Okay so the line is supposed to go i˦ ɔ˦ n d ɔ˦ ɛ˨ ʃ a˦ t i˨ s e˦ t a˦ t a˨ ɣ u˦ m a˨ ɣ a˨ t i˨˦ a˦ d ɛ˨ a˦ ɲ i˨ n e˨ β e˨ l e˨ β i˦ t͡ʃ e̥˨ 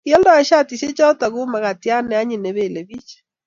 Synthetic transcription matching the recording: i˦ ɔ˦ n d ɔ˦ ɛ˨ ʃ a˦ t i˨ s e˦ t͡ʃ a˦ t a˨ ɣ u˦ m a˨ ɣ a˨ t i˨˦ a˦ n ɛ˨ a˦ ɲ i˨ n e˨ β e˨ l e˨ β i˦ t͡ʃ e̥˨